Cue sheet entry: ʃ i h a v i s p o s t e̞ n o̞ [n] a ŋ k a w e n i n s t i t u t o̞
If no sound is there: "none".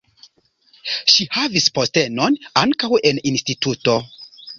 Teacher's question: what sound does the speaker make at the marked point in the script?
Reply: n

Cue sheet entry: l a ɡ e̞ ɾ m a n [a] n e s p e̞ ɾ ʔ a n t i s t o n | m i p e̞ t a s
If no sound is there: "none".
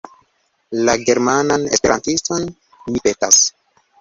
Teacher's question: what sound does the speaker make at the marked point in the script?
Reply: a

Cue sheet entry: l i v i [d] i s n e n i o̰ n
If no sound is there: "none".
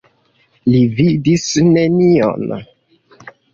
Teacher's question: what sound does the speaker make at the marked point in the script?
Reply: d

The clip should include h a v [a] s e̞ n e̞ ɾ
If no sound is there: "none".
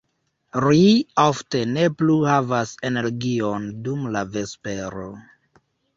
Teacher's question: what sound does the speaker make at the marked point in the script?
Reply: a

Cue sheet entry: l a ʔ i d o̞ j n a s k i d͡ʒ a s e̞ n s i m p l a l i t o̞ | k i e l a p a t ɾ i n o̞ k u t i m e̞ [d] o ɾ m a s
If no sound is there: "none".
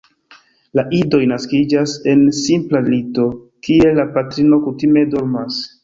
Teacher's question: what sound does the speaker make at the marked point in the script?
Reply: d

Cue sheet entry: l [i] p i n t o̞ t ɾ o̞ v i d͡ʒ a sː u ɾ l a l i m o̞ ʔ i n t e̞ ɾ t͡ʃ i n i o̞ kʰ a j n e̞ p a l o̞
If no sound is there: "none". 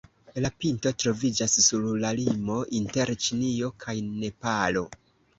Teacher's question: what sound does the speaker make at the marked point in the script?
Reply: a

